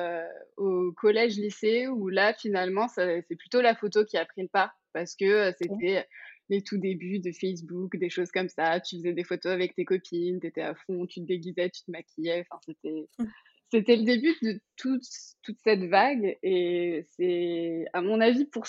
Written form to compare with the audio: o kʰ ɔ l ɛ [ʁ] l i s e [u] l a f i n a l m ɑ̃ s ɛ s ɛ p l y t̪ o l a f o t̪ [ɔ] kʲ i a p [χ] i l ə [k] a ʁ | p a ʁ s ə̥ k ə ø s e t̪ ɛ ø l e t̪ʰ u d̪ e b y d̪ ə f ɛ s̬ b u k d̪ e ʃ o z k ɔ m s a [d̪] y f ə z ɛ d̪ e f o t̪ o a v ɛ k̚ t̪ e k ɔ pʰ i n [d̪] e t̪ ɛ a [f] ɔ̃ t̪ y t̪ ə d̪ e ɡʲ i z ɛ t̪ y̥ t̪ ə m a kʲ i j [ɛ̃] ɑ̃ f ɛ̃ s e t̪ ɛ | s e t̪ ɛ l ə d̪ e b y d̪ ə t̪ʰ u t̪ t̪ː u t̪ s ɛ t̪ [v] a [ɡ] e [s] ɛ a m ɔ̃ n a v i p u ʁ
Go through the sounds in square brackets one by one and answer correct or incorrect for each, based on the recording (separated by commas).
incorrect, correct, incorrect, correct, incorrect, incorrect, incorrect, correct, incorrect, correct, correct, correct